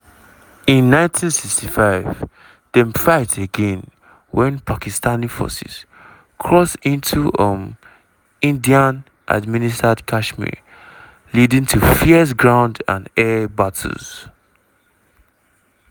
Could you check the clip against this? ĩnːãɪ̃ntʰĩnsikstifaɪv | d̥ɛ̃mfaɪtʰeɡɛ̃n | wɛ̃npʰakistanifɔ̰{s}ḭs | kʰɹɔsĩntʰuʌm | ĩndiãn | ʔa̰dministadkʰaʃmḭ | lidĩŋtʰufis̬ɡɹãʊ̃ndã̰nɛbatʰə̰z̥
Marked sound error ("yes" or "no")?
no